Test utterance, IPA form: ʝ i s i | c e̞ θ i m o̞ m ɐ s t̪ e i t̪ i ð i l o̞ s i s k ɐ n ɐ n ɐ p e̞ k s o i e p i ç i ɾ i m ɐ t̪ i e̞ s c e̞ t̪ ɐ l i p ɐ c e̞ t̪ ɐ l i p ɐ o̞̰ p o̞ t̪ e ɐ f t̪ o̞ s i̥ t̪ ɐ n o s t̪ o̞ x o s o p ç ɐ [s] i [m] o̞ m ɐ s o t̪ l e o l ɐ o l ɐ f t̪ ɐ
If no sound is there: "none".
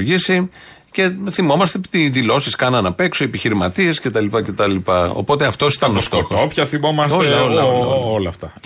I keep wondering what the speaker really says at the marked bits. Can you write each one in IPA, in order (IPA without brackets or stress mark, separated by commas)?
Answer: θ, m